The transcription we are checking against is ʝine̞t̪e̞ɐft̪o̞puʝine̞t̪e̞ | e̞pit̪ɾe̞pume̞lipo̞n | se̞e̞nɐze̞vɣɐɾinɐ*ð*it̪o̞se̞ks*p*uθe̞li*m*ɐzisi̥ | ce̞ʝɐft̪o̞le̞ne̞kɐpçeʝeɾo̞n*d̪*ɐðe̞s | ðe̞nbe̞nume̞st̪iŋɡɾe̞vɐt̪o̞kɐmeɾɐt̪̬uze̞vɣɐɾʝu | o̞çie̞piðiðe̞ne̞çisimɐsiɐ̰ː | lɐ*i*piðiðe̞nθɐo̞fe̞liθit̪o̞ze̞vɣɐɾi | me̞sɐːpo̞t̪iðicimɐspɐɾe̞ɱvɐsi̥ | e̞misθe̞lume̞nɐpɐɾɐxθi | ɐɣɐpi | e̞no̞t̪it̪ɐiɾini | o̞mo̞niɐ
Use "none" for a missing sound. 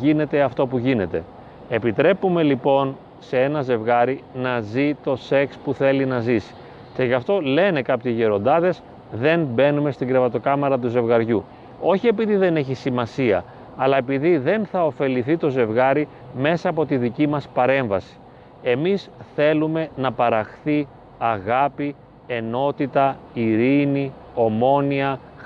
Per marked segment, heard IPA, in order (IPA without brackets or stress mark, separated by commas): z, p, n, d̪, e